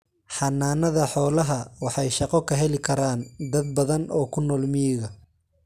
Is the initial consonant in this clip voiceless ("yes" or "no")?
yes